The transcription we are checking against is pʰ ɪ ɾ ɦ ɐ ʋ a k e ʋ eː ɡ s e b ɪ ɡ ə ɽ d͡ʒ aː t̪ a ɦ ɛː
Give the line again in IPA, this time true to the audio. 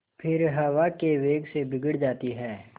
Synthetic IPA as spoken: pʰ ɪ ɾ ɦ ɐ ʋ a k e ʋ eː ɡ s e b ɪ ɡ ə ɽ d͡ʒ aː t̪ i ɦ ɛː

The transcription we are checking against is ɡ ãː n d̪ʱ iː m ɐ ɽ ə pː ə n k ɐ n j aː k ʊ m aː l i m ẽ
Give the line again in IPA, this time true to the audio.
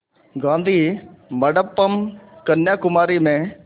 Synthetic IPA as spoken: ɡ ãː n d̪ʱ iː m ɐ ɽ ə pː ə m k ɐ n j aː k ʊ m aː ɾ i m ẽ

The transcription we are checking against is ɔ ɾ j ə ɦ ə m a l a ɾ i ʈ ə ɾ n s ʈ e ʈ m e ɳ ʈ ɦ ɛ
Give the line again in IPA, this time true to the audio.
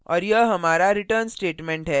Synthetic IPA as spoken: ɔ ɾ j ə ɦ ə m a ɾ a ɾ i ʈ ə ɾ n s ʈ e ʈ m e ɳ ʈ ɦ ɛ

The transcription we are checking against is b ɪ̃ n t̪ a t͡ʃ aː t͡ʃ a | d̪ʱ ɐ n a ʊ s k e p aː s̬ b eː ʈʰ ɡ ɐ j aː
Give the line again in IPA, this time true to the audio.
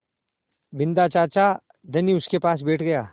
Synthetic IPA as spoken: b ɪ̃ n d̪ a t͡ʃ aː t͡ʃ a | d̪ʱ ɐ n i ʊ s k e p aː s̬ b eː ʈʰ ɡ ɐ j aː

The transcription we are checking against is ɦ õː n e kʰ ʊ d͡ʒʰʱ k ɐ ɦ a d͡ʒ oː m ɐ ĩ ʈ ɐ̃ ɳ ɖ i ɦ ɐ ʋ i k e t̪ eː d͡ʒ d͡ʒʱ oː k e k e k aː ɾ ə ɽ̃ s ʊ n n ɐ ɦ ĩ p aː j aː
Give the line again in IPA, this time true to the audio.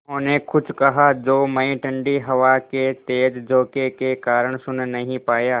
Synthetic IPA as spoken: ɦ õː n e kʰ ʊ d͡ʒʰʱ k ɐ ɦ a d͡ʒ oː m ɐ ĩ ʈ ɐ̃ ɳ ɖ i ɦ ɐ ʋ a k e t̪ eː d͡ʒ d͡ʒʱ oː k e k e k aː ɾ ə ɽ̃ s ʊ n n ɐ ɦ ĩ p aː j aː

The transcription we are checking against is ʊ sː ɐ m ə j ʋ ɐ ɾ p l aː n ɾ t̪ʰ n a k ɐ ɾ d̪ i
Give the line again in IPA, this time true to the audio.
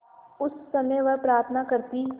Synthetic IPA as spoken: ʊ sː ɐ m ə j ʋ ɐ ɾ p ɾ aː ɾ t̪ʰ n a k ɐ ɾ t̪ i

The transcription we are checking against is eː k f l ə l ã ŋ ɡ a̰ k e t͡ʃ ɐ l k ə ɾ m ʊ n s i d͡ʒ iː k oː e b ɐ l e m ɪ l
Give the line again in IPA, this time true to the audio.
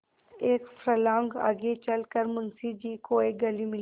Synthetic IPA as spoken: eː k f ɾ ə l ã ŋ ɡ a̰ ɡ e t͡ʃ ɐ l k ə ɾ m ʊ n s i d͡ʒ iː k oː e ɡ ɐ l i m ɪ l

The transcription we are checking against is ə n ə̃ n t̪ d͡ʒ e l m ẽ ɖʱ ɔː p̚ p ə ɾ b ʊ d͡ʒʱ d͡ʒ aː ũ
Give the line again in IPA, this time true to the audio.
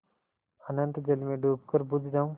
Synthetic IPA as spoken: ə n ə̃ n t̪ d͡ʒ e l m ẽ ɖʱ uː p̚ k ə ɾ b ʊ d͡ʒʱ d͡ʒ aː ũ

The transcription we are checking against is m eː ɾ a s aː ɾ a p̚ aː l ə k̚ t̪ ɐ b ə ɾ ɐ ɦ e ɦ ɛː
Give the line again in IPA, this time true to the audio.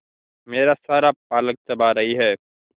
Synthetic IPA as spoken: m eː ɾ a s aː ɾ a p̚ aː l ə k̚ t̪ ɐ b a ɾ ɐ ɦ i ɦ ɛː

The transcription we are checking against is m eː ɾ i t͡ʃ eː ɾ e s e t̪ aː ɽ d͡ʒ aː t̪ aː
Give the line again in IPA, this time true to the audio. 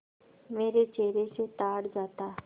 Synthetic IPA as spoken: m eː ɾ e t͡ʃ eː ɾ e s e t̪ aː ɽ d͡ʒ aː t̪ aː

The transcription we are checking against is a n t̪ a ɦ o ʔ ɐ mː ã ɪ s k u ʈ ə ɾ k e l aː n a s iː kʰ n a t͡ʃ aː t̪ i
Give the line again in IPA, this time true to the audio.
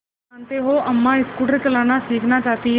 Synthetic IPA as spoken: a n t̪ e ɦ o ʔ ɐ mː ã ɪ s k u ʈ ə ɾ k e l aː n a s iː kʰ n a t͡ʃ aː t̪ i

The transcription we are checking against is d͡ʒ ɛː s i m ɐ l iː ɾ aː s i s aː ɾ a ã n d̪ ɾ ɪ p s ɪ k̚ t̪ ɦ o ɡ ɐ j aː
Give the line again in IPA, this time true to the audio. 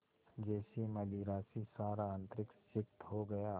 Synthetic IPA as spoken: d͡ʒ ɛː s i m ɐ l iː ɾ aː s i s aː ɾ a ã n t̪ ɾ ɪ k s ɪ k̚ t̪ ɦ o ɡ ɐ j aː

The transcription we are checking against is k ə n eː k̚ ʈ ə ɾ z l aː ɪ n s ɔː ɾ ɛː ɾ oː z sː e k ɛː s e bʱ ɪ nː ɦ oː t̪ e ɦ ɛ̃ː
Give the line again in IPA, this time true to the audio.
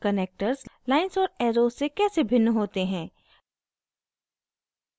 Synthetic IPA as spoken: k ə n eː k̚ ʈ ə ɾ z l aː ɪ n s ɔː ɾ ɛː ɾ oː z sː e k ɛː s e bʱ ɪ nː ɦ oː t̪ e ɦ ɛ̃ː

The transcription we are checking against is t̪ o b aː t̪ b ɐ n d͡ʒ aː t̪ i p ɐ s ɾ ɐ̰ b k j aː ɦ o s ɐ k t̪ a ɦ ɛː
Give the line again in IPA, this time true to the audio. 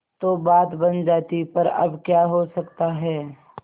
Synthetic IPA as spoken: t̪ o b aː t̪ b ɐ n d͡ʒ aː t̪ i p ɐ ɾ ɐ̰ b k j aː ɦ o s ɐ k t̪ a ɦ ɛː

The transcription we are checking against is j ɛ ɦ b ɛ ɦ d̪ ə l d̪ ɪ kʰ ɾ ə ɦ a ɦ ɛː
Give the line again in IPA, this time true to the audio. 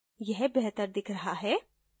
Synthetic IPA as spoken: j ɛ ɦ b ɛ ɦ t̪ ə ɾ d̪ ɪ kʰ ɾ ɐ ɦ a ɦ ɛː

